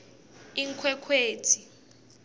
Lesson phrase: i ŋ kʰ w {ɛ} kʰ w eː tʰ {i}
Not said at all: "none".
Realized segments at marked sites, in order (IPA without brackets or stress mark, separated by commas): ɛ, i